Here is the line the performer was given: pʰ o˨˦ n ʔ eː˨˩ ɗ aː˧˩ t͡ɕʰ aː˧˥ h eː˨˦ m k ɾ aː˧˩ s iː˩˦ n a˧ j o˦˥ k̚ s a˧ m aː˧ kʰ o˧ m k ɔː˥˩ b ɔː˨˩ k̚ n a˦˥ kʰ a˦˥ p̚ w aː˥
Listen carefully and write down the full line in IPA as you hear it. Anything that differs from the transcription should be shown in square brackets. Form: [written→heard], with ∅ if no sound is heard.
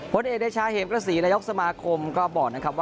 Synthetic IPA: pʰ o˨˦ n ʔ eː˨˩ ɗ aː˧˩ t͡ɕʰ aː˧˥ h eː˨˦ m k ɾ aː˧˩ s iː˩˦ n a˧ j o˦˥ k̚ s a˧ m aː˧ kʰ o˧ m k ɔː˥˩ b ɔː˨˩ k̚ n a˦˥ kʰ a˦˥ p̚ w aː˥